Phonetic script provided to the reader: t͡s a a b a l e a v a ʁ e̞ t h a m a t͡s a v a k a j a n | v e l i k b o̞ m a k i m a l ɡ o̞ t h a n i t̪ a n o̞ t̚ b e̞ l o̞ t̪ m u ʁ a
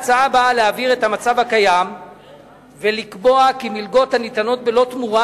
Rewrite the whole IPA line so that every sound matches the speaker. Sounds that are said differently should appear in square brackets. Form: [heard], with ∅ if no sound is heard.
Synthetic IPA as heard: t͡s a a b a l e a v [i] ʁ e̞ t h a m a t͡s a v a k a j a [m] | v e l i k b o̞ [∅] a k i m [i] l ɡ o̞ t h a n i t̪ a n o̞ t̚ b e̞ l o̞ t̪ m u ʁ a